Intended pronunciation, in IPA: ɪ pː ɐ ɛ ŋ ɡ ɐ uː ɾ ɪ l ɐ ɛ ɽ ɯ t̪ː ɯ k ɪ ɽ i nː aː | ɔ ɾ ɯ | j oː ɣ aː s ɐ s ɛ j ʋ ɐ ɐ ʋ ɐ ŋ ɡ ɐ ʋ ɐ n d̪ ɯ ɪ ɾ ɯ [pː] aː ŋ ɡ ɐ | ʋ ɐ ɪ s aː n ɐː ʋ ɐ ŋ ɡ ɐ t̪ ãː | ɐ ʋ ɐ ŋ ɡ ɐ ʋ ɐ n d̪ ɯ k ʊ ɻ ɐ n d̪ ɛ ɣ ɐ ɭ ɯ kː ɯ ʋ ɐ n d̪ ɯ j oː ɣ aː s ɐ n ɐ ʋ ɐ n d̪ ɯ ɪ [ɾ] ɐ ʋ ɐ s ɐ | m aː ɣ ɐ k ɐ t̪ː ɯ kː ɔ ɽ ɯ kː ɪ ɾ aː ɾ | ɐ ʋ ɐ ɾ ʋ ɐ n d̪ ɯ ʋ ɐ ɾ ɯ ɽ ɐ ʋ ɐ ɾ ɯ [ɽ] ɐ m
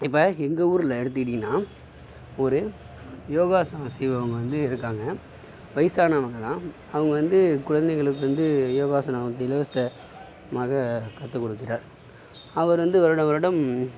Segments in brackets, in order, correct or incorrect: incorrect: kː, incorrect: l, correct

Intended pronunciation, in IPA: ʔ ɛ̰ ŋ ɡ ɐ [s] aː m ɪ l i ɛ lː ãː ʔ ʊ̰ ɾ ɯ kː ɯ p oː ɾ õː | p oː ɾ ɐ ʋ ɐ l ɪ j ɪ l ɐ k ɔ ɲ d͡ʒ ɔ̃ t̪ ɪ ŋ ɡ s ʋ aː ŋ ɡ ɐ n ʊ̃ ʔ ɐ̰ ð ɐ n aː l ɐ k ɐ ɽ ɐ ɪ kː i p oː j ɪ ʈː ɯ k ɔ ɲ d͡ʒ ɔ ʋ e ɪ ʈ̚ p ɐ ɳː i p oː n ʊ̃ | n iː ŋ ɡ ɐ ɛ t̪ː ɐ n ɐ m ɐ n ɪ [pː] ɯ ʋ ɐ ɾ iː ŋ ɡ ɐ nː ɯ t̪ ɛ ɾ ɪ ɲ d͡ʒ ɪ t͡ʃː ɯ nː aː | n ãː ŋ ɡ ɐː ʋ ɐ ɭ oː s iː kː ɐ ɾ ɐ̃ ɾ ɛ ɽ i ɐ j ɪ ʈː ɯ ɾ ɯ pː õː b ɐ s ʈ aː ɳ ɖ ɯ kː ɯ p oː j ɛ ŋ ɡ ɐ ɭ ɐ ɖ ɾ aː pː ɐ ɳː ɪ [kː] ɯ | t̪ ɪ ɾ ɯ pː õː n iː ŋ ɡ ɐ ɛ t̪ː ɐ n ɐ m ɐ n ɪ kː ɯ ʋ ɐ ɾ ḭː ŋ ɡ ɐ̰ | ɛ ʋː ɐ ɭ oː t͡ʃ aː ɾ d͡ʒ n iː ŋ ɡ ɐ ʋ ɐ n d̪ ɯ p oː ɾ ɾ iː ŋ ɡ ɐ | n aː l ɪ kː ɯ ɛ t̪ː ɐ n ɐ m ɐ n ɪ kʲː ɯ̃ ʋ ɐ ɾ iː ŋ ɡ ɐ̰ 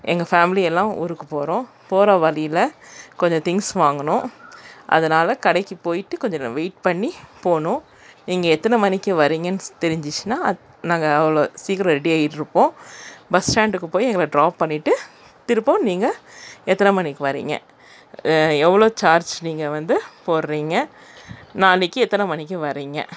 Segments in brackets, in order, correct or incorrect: incorrect: f, incorrect: kː, incorrect: ʈː

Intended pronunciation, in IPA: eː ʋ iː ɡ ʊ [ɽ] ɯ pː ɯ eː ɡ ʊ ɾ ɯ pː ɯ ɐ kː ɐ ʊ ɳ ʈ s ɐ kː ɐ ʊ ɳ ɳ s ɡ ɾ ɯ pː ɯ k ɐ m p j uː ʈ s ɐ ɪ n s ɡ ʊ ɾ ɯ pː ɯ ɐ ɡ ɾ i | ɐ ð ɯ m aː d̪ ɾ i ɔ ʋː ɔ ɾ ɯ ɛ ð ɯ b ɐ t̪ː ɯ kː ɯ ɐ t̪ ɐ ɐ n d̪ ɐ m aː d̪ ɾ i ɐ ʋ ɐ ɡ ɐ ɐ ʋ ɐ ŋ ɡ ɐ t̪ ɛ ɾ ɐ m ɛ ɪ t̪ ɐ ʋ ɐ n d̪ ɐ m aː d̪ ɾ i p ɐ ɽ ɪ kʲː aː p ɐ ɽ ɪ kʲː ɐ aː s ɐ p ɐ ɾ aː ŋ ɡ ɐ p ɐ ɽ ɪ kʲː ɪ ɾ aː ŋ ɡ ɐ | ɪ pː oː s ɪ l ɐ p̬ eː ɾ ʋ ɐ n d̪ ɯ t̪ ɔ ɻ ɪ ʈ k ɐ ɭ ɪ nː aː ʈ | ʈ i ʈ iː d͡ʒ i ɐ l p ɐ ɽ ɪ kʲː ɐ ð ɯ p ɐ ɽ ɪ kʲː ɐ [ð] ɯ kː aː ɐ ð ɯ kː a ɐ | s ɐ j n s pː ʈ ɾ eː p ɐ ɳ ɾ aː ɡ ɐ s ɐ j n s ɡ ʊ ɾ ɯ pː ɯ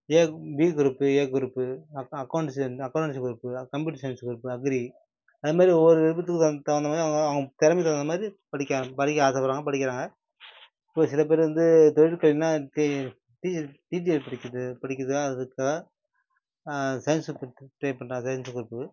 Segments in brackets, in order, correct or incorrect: incorrect: ɾ, correct

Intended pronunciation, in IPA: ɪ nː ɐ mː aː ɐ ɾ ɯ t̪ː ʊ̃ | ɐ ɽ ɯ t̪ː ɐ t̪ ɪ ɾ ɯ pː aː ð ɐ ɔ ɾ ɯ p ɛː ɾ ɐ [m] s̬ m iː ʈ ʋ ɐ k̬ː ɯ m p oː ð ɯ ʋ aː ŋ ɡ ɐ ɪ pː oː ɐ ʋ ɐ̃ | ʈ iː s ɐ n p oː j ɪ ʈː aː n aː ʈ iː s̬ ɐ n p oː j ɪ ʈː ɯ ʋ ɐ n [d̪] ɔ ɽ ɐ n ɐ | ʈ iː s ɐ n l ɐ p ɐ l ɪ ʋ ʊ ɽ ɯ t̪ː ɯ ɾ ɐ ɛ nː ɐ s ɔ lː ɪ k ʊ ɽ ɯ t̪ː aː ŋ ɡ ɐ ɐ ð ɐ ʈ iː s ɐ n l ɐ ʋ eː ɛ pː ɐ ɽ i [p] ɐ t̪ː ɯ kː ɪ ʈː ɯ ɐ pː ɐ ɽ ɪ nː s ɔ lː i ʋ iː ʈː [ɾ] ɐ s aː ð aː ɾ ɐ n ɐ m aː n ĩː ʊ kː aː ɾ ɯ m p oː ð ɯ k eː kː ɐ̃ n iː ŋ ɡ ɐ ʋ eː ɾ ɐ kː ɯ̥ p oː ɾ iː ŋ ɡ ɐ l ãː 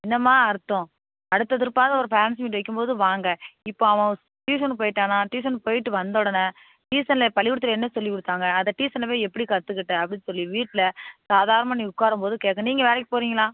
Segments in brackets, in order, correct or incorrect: incorrect: n, correct, incorrect: k, incorrect: l

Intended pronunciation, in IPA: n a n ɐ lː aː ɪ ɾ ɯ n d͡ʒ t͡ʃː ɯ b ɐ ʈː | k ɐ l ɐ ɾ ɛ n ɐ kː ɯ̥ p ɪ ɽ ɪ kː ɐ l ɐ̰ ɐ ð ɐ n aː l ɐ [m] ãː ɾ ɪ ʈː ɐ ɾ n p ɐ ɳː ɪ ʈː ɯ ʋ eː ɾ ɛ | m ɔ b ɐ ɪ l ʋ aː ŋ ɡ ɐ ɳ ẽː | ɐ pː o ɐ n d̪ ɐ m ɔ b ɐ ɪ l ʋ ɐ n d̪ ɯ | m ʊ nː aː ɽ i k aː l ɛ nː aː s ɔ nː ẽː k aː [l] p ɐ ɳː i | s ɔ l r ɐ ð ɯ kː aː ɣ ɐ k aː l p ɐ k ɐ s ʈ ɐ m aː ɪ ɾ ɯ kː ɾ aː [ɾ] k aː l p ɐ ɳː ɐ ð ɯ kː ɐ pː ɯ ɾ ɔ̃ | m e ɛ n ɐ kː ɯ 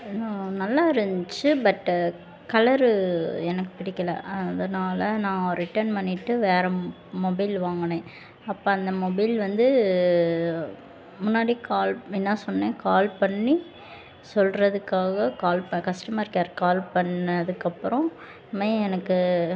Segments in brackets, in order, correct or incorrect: incorrect: n, correct, correct

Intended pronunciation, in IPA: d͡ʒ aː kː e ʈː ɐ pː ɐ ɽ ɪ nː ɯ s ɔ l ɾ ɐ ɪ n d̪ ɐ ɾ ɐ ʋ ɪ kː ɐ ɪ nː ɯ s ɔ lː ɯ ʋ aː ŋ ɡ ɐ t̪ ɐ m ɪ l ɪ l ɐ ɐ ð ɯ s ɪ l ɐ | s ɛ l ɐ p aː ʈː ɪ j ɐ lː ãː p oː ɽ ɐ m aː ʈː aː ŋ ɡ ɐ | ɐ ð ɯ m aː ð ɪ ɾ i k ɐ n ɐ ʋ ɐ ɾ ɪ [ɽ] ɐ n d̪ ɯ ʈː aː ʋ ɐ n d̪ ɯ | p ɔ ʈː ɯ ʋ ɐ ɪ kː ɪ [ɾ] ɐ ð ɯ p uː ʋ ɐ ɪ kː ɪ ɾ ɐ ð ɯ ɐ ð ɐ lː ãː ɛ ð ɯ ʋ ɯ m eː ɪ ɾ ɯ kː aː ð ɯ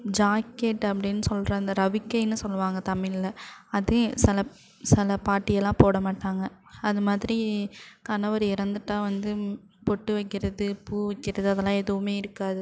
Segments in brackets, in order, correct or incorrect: incorrect: ɾ, correct

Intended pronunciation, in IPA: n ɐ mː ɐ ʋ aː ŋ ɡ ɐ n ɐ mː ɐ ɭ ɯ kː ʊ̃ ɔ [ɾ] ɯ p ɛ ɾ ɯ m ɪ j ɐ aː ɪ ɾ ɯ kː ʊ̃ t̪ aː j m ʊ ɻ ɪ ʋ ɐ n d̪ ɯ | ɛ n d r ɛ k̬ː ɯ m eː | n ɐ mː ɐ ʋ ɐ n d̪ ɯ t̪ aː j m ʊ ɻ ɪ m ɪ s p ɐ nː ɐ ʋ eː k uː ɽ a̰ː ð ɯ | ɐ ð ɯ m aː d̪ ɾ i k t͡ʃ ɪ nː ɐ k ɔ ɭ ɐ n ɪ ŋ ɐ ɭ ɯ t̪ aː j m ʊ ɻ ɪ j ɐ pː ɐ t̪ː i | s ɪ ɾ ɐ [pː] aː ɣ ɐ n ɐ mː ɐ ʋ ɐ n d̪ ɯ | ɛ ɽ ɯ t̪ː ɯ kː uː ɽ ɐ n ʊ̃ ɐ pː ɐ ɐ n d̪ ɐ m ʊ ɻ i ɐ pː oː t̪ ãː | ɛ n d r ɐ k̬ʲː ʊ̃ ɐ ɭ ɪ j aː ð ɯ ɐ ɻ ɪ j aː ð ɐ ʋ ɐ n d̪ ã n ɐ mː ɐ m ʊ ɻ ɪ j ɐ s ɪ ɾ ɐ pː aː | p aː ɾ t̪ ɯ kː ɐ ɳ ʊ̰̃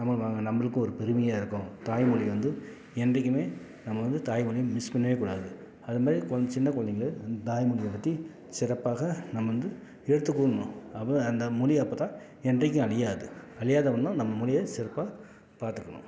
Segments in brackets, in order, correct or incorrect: correct, correct

